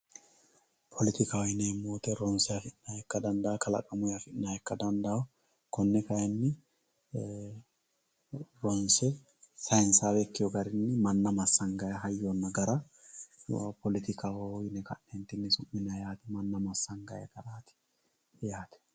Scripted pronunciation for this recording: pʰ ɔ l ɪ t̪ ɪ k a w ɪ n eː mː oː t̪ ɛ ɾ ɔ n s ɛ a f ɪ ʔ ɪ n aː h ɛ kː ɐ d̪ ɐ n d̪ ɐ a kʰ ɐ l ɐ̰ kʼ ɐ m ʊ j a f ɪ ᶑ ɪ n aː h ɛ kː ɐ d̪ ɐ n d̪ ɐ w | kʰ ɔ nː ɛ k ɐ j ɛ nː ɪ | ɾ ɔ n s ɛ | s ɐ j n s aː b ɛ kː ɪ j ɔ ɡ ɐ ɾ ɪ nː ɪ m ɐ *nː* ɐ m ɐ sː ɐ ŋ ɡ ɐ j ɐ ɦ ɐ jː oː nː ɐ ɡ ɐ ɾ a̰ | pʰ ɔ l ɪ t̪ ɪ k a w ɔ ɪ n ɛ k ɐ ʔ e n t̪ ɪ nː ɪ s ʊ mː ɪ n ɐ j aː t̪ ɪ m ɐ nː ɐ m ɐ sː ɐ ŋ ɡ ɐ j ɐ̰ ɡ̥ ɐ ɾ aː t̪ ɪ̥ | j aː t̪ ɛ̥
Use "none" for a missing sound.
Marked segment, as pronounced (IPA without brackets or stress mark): nː